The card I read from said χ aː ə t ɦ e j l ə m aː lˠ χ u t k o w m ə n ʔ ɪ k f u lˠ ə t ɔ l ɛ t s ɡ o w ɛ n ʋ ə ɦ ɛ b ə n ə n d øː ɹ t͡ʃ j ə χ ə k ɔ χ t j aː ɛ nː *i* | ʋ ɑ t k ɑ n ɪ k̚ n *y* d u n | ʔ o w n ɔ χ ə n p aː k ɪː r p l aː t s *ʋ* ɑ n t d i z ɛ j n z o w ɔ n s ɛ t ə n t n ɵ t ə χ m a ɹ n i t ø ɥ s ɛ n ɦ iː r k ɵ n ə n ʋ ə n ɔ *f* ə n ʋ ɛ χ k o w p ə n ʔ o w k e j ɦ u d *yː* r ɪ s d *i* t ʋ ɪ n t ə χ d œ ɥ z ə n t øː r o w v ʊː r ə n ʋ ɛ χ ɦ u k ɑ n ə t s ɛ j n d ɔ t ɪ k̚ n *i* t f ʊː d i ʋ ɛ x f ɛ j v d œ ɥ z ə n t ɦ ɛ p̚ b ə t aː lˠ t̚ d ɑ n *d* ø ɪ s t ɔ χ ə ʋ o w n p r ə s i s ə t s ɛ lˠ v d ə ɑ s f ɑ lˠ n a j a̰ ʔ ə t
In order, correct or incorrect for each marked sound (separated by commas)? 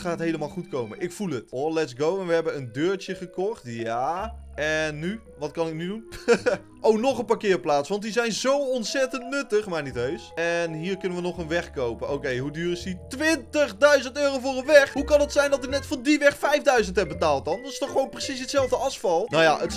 incorrect, correct, correct, incorrect, correct, correct, incorrect, correct